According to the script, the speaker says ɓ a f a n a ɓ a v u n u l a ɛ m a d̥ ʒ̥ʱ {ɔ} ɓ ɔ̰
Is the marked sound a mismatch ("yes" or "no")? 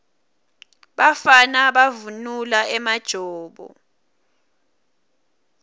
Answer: yes